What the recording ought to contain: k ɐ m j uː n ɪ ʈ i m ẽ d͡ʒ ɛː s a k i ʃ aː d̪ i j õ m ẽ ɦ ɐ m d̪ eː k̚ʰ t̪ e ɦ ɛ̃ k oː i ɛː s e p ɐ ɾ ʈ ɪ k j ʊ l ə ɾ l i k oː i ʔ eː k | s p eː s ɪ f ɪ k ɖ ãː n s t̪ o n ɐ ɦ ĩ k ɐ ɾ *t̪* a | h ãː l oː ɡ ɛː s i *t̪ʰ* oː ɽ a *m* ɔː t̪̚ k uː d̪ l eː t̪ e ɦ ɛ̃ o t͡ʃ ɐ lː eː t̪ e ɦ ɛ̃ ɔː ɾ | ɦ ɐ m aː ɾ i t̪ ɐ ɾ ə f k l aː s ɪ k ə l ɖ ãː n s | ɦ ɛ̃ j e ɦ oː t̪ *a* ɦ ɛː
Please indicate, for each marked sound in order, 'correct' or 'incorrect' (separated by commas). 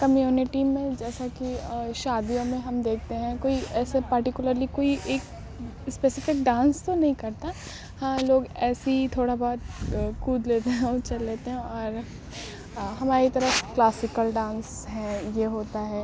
correct, correct, incorrect, correct